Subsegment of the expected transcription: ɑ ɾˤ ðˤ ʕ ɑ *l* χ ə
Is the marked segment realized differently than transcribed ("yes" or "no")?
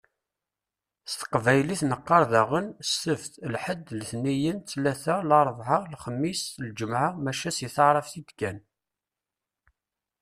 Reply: no